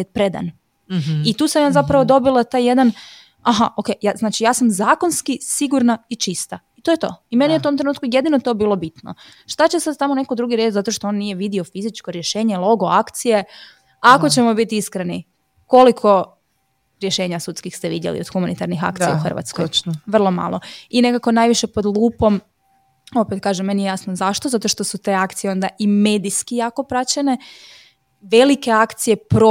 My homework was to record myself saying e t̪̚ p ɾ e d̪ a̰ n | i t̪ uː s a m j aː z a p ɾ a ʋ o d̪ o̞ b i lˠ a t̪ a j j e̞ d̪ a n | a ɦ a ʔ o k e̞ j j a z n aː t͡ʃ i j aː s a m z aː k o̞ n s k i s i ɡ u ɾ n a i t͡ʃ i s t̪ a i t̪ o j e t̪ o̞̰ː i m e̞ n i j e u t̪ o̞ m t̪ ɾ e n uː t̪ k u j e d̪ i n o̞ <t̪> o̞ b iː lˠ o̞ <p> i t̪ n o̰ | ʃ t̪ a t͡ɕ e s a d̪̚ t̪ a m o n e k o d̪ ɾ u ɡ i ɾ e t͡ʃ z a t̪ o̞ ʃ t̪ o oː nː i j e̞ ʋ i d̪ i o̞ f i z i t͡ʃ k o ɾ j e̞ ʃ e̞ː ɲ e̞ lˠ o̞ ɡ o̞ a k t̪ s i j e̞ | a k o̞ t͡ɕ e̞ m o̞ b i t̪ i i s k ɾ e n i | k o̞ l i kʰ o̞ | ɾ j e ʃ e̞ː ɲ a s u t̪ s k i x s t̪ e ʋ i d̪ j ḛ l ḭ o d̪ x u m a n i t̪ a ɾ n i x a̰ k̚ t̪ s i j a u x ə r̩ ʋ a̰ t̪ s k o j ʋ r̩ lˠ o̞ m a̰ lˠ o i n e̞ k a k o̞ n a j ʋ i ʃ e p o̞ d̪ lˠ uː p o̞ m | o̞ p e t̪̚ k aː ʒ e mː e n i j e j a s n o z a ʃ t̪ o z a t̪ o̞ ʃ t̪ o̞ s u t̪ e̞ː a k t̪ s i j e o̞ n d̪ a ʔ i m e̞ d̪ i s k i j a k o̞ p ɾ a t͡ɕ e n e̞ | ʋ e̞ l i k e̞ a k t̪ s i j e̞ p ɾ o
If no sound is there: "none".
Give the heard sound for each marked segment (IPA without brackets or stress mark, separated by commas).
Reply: t̪, b